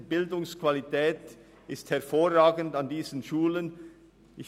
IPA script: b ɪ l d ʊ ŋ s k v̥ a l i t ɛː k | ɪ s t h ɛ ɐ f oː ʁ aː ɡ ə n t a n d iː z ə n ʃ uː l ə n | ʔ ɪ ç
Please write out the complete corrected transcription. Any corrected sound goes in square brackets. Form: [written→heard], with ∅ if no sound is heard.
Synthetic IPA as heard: b ɪ l d ʊ ŋ s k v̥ a l i t ɛː [k→t] | ɪ s t h ɛ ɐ f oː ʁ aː ɡ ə n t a n d iː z ə n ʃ uː l ə n | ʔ ɪ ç

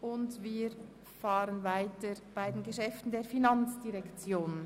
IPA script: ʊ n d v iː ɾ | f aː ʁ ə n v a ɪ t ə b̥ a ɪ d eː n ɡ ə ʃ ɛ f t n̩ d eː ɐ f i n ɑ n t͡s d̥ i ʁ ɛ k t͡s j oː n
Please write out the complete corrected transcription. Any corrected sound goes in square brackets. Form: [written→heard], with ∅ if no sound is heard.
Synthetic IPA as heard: ʊ n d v iː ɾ | f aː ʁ ə n v a ɪ t ə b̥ a ɪ d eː n ɡ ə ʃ ɛ f t n̩ d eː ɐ f i n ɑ n t͡s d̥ i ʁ ɛ k t͡s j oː n

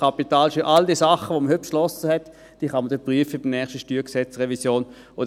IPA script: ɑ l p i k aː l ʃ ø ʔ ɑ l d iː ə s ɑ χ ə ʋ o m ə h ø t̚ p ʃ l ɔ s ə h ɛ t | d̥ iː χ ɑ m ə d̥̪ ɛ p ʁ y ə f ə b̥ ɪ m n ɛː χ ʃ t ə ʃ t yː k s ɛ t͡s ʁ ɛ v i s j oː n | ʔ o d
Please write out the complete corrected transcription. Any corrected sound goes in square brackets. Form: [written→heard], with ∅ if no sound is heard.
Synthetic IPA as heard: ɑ [l→∅] p i [k→t] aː l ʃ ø ʔ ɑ l d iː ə s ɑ χ ə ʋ o m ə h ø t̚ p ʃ l ɔ s ə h ɛ t | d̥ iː χ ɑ m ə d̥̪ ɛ p ʁ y ə f ə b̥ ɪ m n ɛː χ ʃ t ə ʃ t yː k s ɛ t͡s ʁ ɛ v i s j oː n | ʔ o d

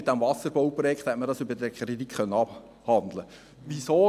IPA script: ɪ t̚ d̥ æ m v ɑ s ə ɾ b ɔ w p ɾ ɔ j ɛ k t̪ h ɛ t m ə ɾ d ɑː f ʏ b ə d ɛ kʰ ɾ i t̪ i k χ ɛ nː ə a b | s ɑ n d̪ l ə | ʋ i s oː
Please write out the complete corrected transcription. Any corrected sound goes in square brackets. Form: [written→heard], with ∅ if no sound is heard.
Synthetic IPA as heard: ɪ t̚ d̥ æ m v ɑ s ə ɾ b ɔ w p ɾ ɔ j ɛ k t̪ h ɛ t m ə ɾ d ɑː [f→s] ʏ b ə d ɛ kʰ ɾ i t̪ i k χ [ɛ→œ] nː ə [a→ɑ] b | [s→h] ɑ n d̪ l ə | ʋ i s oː

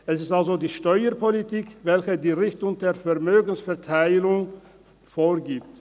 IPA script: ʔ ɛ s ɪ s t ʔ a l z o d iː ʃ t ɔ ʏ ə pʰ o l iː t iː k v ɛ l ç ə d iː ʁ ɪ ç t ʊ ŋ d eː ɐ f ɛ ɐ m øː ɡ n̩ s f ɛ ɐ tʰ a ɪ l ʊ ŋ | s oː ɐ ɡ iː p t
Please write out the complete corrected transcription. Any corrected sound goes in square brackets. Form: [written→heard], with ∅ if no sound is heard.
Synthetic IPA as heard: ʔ ɛ s ɪ s t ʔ a l z o d iː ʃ t ɔ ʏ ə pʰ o l [iː→i] t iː k v ɛ l ç ə d iː ʁ ɪ ç t ʊ ŋ d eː ɐ f ɛ ɐ m øː ɡ n̩ s f ɛ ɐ tʰ a ɪ l ʊ ŋ | [s→f] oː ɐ ɡ iː p t

